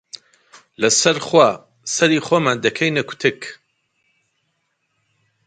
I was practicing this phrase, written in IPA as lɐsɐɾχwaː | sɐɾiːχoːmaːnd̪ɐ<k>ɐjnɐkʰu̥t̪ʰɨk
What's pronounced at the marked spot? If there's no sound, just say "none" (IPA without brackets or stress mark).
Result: kʰ